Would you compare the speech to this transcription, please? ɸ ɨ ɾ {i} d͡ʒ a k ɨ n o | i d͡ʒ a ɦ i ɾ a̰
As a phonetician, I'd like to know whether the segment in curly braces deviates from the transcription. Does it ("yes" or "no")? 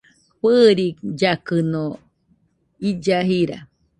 no